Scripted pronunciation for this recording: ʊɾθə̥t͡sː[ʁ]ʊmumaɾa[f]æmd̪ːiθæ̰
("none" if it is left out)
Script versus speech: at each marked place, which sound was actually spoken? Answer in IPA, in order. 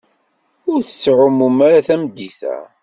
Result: ʕ, θ

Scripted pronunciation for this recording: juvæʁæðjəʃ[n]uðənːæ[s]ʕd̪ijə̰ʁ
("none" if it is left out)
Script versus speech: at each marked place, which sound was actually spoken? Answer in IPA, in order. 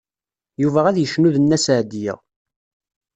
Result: n, s

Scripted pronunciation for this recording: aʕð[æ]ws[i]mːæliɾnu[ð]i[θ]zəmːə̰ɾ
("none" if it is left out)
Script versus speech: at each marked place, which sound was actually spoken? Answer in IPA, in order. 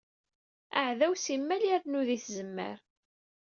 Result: æ, i, ð, θ

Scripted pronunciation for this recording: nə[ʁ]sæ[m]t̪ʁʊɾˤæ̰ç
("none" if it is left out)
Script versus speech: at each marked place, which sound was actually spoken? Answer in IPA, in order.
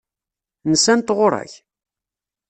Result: none, n

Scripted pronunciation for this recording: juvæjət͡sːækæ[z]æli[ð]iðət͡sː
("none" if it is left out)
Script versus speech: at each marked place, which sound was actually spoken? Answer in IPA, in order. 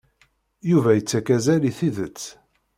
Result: z, θ

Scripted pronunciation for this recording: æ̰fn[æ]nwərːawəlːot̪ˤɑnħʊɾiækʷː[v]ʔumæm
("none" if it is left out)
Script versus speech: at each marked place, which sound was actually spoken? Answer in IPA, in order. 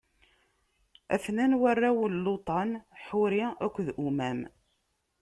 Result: æ, ð

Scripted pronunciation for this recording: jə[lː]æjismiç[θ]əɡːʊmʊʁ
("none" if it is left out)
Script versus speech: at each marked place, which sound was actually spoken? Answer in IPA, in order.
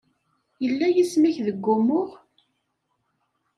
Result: lː, ð

